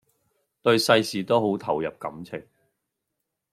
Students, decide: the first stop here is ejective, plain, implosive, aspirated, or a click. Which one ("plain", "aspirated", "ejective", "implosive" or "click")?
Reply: plain